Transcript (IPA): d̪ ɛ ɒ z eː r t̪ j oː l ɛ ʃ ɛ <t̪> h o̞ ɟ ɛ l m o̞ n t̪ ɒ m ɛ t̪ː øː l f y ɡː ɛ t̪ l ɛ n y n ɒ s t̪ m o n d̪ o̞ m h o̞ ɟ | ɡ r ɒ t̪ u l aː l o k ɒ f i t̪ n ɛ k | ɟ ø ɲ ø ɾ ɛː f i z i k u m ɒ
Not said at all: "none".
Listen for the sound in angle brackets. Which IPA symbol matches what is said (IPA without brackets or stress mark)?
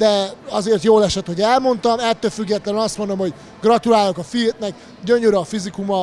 t̪